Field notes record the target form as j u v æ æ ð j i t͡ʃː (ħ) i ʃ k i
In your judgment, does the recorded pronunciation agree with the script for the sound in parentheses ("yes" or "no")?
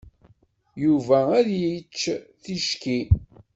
no